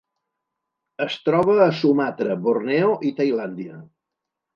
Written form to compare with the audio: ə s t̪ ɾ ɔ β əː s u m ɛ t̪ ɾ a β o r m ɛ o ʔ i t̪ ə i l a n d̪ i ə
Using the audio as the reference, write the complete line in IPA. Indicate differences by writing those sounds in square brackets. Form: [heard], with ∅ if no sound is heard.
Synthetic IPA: ə s t̪ ɾ ɔ β əː s u m [a] t̪ ɾ [ə] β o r [n] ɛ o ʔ i t̪ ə [j] l a n d̪ i ə